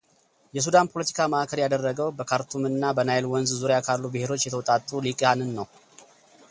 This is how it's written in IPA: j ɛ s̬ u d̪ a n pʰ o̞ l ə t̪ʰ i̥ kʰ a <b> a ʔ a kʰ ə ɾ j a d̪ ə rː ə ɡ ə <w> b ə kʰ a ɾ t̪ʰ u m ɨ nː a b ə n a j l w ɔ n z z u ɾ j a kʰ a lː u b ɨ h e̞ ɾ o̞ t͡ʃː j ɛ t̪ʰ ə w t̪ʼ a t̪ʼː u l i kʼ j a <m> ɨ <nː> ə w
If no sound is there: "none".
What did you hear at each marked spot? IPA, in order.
m, w, n, nː

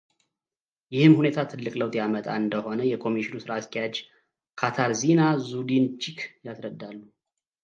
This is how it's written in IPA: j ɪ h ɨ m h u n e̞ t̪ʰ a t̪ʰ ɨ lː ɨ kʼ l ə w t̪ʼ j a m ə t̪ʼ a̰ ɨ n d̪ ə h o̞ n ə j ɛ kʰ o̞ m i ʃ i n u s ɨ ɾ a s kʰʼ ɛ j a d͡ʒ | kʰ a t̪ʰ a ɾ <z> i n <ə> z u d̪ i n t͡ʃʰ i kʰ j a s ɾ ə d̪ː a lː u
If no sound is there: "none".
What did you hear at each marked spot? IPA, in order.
z, a

